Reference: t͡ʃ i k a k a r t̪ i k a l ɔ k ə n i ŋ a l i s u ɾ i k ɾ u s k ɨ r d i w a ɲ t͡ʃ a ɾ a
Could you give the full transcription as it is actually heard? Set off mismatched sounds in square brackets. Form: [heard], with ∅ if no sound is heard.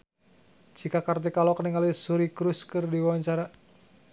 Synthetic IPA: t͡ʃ i k a k a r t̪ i k a l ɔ k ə n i ŋ a l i s u ɾ i k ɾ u s k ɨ r d i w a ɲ t͡ʃ a ɾ a